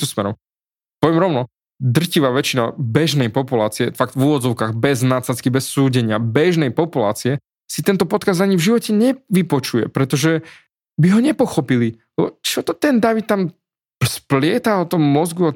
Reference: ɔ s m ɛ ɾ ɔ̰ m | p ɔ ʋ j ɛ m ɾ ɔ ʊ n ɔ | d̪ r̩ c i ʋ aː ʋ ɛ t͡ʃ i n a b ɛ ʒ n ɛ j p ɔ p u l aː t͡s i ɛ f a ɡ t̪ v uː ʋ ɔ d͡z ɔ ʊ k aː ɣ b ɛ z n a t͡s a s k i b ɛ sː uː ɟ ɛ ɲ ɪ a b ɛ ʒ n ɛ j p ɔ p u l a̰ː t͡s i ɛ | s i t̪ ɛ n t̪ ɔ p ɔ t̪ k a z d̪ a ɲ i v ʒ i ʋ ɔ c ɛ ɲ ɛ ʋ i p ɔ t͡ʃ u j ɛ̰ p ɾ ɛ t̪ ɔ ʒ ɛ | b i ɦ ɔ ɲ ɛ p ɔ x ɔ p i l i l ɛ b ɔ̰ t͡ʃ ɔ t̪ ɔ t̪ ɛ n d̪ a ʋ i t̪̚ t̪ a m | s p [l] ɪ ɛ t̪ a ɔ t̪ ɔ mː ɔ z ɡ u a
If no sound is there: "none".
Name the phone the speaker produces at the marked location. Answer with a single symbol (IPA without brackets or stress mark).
l